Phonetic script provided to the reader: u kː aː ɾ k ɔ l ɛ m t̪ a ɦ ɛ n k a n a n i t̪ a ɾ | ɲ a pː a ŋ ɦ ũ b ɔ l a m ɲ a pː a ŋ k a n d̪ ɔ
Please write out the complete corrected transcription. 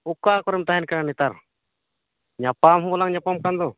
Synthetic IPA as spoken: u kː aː k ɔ ɾ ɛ m t̪ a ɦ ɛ n k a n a n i t̪ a ɾ | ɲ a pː a m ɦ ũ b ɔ l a ŋ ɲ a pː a m k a n d̪ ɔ